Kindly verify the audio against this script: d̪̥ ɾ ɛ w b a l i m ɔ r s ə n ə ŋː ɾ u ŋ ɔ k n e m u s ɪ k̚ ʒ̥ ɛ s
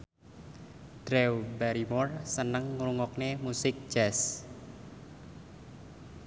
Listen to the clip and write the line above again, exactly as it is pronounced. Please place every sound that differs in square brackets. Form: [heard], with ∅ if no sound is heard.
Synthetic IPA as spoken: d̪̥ ɾ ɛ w b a [ɾ] i m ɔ r s ə n ə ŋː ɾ u ŋ ɔ k n e m u s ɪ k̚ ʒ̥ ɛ s